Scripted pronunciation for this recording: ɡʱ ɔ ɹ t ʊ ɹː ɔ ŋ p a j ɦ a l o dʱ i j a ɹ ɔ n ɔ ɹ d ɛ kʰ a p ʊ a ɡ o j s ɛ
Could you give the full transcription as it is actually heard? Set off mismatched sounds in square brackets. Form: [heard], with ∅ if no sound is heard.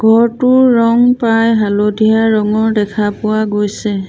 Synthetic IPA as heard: ɡʱ ɔ ɹ t ʊ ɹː ɔ ŋ p a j ɦ a l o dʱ i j a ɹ ɔ [ŋ] ɔ ɹ d ɛ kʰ a p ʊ a ɡ o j s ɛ